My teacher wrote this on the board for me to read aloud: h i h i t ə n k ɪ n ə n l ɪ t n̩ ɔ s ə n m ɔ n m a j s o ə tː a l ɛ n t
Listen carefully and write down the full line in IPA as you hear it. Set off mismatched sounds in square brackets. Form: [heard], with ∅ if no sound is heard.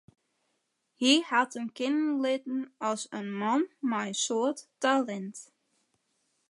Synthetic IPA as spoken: h i h [a] t ə n k ɪ n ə n l ɪ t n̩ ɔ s ə n m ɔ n m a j s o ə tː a l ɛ n t